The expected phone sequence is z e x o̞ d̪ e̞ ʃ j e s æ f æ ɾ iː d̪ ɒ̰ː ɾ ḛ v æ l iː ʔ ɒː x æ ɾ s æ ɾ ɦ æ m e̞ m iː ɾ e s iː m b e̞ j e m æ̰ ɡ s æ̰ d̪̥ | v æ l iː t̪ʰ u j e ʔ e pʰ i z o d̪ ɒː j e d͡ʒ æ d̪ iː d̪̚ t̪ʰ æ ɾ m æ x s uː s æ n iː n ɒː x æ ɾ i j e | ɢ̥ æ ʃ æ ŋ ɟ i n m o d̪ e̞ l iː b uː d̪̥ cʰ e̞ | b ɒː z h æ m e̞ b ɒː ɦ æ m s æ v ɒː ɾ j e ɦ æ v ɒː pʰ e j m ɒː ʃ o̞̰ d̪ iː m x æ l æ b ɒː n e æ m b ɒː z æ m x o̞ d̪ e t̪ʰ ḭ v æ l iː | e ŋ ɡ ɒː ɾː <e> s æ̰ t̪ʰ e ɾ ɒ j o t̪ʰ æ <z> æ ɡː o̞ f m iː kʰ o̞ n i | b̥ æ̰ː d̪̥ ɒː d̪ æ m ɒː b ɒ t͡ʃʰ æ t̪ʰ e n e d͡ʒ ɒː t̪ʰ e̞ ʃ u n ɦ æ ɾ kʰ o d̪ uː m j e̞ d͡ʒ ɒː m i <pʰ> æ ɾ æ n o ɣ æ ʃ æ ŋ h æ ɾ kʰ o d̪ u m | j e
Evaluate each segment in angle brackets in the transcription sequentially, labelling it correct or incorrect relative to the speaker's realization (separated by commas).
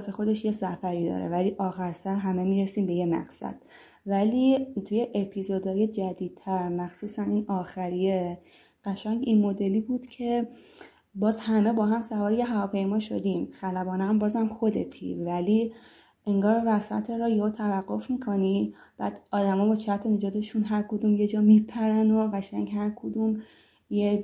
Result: incorrect, incorrect, correct